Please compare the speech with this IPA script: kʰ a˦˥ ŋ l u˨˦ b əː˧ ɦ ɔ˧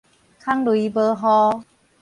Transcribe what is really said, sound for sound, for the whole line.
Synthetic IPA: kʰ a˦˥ ŋ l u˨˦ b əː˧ ɦ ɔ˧